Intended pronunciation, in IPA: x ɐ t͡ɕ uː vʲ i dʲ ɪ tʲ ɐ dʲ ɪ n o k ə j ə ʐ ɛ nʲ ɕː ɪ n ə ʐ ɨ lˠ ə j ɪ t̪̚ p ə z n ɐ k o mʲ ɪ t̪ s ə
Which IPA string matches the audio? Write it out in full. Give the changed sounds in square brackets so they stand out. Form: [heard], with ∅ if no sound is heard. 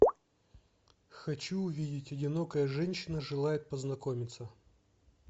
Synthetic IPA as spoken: x ɐ t͡ɕ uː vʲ i dʲ ɪ tʲ ɐ dʲ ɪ n o k ə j ə ʐ ɛ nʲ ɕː ɪ n ə ʐ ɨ lˠ [a] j ɪ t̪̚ p ə z n ɐ k o mʲ ɪ t̪ s ə